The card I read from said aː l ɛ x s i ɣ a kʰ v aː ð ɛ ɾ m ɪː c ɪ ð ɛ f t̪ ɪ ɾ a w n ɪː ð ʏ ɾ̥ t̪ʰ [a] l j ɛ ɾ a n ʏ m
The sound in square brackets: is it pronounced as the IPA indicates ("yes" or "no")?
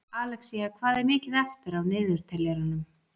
no